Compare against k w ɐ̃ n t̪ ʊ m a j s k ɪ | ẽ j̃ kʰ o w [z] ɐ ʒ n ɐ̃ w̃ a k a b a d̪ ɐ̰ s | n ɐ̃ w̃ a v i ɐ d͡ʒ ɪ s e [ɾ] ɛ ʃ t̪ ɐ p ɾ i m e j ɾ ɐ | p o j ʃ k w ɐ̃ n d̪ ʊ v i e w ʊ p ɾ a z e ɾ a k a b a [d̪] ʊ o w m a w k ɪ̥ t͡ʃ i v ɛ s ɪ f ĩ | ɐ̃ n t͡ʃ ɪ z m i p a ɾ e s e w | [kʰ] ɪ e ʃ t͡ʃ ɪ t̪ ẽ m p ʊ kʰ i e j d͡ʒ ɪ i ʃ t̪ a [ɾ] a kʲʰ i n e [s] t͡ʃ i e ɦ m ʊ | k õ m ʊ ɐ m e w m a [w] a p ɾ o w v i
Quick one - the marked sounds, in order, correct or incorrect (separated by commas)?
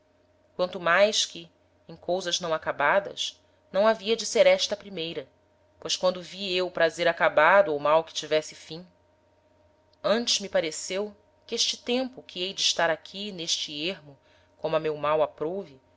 correct, correct, correct, incorrect, correct, incorrect, correct